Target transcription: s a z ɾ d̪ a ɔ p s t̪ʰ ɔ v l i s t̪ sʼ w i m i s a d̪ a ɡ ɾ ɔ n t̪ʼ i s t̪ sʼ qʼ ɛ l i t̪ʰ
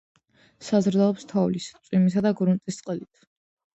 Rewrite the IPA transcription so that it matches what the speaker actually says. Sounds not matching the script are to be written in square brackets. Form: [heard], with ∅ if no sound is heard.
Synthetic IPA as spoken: s a z ɾ d̪ a ɔ p s t̪ʰ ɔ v l i s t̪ sʼ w i m i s a d̪ a ɡ ɾ [u] n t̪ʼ i s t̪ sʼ qʼ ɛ l i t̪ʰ